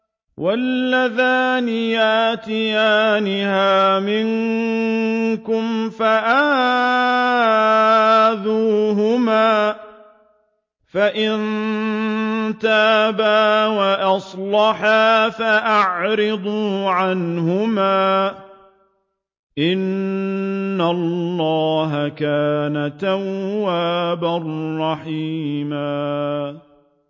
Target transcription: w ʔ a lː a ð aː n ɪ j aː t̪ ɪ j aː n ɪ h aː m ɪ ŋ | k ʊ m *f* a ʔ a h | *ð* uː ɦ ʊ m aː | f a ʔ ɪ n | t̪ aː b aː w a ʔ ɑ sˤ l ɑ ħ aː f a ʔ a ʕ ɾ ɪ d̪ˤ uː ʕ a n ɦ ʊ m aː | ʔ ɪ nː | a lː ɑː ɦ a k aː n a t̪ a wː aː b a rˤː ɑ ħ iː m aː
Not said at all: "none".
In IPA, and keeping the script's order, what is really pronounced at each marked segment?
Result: f, ð

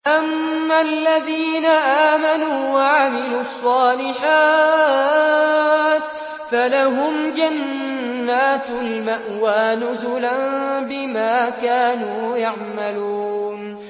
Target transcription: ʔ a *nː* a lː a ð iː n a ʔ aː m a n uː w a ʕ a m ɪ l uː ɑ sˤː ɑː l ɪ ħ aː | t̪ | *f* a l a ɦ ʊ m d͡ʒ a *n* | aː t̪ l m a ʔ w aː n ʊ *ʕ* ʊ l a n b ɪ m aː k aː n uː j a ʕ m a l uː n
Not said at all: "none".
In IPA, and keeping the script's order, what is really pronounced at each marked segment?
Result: mː, f, nː, z

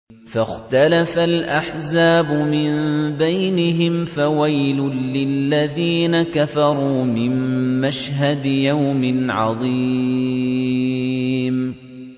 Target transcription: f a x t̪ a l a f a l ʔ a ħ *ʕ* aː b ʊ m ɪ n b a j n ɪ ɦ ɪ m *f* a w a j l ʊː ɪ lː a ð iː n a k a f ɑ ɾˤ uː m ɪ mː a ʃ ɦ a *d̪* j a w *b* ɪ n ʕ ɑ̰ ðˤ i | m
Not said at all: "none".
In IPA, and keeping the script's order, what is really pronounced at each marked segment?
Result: z, f, d̪, m

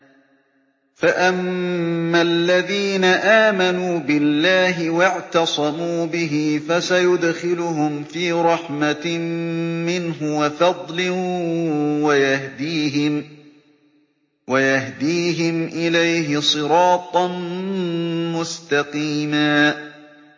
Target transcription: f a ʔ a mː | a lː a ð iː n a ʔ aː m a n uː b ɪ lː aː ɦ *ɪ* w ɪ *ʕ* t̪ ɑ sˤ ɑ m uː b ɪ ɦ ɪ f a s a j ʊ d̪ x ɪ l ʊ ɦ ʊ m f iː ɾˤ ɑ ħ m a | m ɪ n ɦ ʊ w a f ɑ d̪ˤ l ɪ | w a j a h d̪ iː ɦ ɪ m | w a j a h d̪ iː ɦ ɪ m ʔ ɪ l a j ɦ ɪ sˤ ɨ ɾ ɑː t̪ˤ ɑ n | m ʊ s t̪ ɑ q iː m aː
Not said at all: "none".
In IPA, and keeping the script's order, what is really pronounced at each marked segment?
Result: ɪ, ʕ

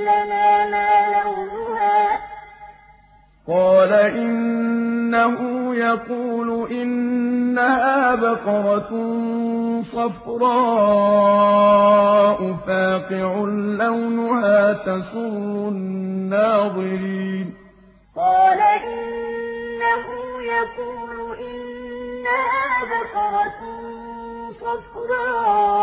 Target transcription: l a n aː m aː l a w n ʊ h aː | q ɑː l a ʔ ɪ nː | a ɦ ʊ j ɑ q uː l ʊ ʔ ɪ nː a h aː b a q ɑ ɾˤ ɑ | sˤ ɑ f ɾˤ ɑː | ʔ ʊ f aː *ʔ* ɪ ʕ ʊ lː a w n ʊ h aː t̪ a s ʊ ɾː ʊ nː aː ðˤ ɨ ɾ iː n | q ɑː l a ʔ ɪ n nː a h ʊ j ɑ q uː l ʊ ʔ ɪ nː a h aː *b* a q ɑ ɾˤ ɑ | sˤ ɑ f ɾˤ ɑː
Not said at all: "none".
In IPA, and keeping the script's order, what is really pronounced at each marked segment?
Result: q, b

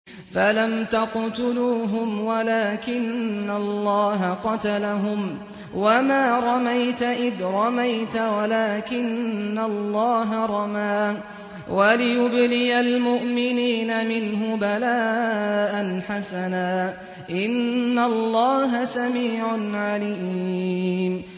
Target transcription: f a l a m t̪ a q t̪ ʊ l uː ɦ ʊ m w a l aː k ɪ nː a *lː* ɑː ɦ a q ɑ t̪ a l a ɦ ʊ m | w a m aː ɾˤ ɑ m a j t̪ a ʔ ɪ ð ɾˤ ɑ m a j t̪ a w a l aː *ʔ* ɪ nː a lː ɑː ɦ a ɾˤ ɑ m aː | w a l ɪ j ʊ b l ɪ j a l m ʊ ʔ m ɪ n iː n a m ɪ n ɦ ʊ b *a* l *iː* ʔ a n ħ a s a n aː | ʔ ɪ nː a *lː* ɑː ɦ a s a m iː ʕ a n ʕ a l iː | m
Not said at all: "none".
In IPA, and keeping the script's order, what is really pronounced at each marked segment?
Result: lː, k, a, aː, lː

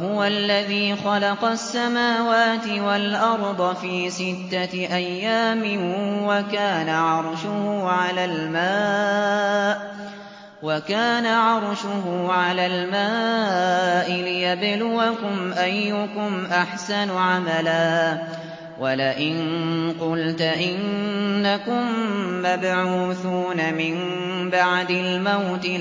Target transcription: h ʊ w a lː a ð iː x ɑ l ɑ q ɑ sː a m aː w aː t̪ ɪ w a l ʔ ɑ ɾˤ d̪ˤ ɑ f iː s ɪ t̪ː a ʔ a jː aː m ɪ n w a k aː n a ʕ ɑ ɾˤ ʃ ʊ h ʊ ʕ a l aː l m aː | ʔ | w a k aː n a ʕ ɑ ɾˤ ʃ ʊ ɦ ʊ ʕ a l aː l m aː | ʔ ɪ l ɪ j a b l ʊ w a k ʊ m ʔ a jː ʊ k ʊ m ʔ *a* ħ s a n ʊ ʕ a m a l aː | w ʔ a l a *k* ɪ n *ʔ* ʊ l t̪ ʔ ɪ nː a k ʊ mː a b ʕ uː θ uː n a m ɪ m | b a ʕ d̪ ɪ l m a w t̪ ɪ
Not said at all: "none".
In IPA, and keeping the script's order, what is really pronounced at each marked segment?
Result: a, ʔ, q

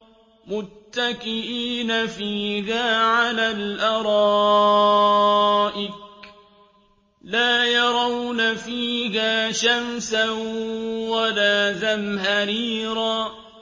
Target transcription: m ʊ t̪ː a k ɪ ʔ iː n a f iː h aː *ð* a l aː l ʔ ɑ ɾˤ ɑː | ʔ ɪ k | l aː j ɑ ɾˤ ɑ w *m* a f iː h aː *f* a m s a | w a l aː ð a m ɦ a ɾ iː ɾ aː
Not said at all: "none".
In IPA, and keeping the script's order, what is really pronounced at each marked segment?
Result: ʕ, n, ʃ

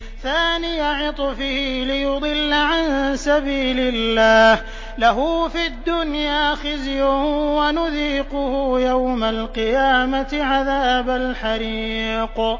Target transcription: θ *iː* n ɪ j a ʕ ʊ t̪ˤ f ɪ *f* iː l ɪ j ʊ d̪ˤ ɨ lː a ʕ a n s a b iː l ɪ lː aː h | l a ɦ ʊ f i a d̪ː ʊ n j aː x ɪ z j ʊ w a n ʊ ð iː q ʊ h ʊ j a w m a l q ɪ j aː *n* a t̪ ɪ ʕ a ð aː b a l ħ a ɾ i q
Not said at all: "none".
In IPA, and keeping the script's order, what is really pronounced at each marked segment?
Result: aː, h, m

